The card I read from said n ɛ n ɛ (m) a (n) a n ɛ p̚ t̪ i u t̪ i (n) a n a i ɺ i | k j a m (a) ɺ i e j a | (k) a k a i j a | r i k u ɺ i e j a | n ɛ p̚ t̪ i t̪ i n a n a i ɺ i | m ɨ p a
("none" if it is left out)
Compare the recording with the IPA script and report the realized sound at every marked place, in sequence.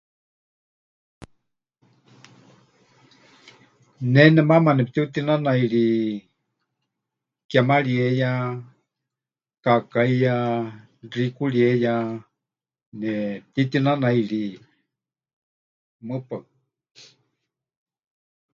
m, m, n, a, k

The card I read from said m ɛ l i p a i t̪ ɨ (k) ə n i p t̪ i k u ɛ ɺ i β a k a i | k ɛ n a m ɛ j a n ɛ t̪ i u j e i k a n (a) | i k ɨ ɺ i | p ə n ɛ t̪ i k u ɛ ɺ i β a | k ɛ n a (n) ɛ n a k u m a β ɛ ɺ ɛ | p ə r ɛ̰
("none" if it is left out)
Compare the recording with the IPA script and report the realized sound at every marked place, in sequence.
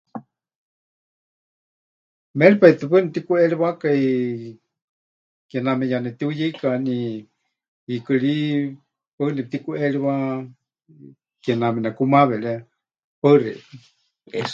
p, i, m

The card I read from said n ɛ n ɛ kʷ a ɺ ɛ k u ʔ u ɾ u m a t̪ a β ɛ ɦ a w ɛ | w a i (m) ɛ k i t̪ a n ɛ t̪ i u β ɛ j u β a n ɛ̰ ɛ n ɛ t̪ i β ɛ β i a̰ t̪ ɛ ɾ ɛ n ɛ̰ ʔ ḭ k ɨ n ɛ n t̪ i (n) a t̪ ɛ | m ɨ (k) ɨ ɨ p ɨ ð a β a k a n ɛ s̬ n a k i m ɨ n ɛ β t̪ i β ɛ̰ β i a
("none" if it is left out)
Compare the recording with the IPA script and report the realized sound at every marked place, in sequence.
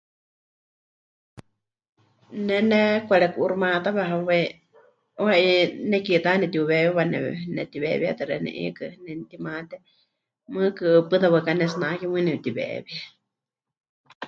n, m, k

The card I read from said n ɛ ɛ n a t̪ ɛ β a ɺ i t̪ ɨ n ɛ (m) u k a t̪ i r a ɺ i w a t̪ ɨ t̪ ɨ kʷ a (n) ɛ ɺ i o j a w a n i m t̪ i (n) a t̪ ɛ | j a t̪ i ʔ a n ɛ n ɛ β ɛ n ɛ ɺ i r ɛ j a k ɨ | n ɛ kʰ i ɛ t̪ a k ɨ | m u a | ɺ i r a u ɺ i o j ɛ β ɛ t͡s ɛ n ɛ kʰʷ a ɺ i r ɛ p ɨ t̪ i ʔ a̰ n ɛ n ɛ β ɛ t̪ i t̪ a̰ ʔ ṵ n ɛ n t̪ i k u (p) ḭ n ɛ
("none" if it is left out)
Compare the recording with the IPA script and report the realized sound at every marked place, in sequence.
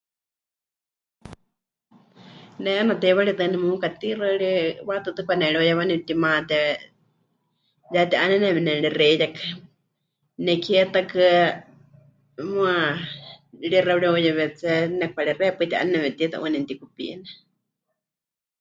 m, n, m, p

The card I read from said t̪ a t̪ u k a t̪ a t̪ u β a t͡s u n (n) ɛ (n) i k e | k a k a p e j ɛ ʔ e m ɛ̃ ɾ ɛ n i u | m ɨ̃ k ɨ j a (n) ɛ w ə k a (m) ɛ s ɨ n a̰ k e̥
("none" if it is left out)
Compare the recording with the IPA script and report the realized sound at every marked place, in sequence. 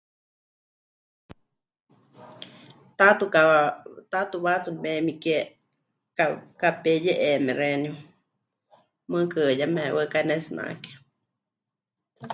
m, m, m, n

